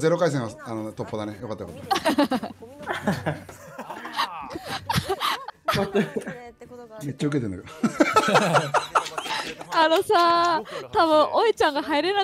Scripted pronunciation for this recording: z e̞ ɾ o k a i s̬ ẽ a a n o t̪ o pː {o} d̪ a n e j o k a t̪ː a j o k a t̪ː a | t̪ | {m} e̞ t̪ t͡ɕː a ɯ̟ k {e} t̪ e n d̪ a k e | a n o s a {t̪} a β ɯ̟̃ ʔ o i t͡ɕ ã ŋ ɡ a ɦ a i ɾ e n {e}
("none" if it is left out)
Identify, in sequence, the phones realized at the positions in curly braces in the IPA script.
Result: o, m, e, t̪, a

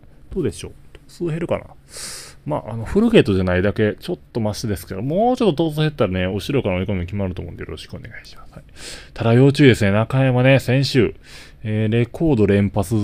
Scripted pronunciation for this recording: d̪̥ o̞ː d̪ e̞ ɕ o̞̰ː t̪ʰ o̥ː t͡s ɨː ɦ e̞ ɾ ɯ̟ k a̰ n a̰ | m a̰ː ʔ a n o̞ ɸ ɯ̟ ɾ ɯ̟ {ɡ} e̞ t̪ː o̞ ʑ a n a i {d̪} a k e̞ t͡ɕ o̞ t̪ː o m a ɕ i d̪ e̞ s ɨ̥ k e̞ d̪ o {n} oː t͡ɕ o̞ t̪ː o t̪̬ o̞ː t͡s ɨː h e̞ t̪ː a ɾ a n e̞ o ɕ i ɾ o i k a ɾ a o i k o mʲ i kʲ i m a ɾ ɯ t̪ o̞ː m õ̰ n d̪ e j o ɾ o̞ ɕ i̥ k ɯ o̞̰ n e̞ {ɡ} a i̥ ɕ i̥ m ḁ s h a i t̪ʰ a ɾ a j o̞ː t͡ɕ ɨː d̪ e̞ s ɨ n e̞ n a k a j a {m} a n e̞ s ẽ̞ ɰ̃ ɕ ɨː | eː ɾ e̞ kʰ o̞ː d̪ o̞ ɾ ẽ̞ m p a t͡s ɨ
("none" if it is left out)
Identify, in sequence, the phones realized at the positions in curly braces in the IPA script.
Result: ɡ, d̪, m, ɡ, m

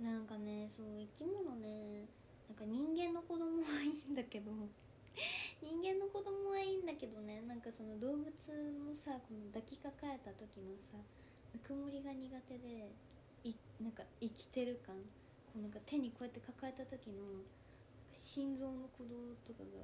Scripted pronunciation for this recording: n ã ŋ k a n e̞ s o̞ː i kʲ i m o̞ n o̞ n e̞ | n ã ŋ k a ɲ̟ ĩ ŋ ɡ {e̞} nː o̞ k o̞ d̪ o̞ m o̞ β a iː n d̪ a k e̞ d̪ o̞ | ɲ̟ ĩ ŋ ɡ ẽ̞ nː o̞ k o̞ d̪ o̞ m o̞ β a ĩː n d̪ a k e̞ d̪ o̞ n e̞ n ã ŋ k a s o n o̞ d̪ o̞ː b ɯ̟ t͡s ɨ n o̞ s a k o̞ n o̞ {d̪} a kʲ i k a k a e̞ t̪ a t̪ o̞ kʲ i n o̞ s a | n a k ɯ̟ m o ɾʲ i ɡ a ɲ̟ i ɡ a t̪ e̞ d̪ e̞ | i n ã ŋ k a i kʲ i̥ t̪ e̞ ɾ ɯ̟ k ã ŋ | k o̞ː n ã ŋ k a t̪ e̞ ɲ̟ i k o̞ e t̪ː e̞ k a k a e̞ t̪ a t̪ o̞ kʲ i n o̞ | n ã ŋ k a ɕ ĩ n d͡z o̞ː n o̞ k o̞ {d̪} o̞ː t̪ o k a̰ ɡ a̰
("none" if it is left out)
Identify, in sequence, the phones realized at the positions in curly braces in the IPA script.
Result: ẽ̞, d̪, d̪

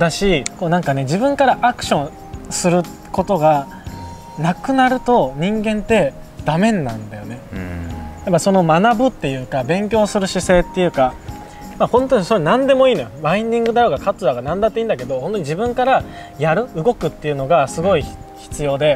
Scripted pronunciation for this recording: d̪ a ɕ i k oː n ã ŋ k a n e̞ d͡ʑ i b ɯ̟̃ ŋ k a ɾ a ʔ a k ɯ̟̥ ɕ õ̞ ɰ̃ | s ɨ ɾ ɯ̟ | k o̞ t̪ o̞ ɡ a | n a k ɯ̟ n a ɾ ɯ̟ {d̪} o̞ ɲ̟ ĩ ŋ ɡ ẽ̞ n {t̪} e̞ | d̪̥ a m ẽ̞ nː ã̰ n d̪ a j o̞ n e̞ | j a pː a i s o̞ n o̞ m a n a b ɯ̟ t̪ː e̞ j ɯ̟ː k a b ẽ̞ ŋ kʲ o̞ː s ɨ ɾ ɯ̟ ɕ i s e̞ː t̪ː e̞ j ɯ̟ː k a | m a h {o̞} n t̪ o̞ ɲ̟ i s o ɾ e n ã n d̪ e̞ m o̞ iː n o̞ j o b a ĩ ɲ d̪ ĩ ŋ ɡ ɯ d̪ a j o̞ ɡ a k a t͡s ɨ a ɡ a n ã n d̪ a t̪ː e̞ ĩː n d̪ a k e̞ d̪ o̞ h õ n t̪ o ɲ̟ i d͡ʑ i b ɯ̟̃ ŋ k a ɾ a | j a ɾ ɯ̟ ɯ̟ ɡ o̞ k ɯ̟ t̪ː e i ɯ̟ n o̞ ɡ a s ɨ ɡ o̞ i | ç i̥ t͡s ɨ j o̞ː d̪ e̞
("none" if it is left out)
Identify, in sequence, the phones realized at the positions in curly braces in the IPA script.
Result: t̪, t̪, õ̞

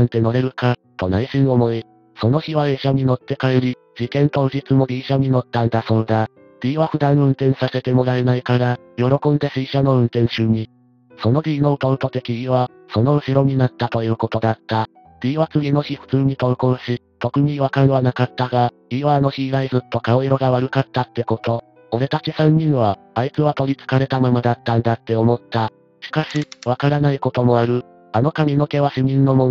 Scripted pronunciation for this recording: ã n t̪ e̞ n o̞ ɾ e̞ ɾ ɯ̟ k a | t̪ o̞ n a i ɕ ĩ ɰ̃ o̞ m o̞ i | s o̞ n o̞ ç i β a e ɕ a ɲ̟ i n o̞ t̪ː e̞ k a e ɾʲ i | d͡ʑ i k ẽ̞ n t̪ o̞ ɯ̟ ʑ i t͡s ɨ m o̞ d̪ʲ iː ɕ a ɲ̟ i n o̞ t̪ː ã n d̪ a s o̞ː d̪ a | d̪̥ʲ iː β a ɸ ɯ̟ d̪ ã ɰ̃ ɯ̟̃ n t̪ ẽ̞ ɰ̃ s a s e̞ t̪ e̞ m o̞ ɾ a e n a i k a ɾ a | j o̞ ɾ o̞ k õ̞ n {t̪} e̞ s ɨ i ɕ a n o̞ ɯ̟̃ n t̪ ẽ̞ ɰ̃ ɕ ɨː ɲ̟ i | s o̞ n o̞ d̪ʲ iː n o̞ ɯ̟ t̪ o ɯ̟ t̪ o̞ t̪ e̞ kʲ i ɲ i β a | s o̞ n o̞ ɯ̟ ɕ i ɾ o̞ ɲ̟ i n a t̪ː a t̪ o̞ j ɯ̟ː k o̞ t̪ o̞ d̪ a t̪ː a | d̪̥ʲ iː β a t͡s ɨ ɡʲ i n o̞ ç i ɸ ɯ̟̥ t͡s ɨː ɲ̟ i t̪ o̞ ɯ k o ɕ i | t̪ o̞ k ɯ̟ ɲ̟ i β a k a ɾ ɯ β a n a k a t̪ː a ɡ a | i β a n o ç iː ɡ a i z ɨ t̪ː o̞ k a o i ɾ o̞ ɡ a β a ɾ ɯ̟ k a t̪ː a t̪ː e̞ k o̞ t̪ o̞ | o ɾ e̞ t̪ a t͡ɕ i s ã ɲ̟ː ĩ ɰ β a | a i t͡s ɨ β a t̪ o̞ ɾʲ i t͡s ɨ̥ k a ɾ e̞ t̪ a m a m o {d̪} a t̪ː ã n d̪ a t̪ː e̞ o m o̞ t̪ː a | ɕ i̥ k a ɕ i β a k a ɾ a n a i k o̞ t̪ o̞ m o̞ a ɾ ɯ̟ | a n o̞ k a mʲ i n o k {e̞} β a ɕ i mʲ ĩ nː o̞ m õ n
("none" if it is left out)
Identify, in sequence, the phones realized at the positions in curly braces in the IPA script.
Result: d̪, d̪, e̞

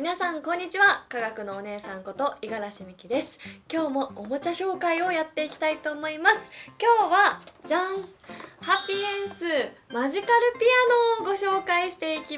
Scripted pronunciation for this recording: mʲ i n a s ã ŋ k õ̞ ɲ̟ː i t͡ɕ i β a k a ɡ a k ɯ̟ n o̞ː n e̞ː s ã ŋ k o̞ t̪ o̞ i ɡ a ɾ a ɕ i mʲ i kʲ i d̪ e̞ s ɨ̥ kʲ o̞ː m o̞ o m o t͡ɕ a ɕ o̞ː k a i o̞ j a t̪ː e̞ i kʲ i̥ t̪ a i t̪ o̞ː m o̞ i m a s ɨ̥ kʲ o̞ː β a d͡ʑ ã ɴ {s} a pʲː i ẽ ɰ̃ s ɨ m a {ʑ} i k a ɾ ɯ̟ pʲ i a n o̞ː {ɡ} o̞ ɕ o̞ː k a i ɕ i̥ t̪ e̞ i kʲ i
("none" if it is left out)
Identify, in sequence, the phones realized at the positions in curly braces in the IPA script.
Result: h, ʑ, ɡ

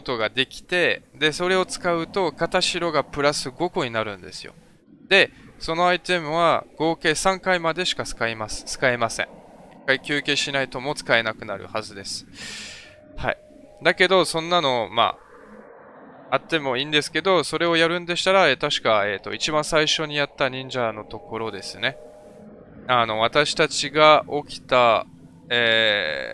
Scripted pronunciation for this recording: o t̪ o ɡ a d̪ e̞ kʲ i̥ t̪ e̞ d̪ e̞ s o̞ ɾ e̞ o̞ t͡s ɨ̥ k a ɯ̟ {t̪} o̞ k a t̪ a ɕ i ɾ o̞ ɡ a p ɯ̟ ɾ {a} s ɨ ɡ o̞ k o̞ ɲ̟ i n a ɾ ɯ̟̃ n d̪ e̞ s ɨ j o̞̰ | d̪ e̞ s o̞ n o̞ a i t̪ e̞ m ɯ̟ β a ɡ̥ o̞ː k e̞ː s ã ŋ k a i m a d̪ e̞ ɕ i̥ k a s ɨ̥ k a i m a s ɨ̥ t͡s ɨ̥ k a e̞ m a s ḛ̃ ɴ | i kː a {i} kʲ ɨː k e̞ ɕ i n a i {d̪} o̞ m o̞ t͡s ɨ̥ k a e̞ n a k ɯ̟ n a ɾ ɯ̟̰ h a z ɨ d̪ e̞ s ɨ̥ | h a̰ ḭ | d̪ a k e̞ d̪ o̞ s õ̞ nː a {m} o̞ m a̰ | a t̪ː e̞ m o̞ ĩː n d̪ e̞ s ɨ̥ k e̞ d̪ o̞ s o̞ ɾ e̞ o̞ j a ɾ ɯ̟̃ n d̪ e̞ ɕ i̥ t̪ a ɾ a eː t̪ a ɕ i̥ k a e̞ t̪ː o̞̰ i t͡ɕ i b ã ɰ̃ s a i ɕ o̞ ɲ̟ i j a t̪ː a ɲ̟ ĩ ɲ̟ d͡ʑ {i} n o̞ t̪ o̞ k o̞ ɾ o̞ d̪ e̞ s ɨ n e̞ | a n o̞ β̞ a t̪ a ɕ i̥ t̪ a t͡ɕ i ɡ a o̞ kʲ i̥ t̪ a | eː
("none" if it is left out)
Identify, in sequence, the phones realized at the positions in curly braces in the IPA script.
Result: t̪, a, i, t̪, n, a

